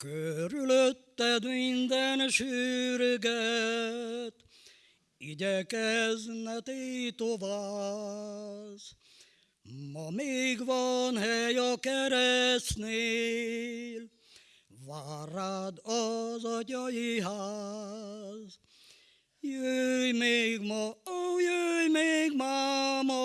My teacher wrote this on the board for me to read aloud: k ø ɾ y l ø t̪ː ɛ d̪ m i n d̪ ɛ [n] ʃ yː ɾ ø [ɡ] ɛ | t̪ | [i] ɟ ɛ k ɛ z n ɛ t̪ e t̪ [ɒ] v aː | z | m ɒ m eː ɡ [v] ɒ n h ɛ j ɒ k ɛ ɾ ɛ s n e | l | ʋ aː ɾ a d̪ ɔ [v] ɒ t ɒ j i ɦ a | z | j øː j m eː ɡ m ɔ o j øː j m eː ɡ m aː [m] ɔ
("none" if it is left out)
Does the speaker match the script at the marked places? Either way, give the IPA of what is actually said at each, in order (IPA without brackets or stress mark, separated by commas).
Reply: n, ɡ, i, o, ʋ, z, m